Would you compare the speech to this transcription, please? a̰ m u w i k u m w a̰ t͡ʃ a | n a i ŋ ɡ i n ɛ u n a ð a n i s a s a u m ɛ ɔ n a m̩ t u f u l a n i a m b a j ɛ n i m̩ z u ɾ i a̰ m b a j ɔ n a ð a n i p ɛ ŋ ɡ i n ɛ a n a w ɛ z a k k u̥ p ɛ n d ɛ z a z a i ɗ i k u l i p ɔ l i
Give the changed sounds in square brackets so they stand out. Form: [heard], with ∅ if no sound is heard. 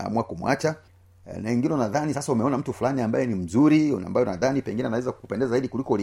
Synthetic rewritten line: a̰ m u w [a] k u m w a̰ t͡ʃ a | n a i ŋ ɡ i n ɛ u n a ð a n i s a s a u m ɛ ɔ n a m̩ t u f u l a n i a m b a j ɛ n i m̩ z u ɾ i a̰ m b a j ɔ n a ð a n i p ɛ ŋ ɡ i n ɛ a n a w ɛ z a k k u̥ p ɛ n d ɛ z a z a i ɗ i k u l i [k] ɔ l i